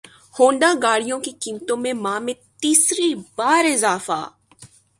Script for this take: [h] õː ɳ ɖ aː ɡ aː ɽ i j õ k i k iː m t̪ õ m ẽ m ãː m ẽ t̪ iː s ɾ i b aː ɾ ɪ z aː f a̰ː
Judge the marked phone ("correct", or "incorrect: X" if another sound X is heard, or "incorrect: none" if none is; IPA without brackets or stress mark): correct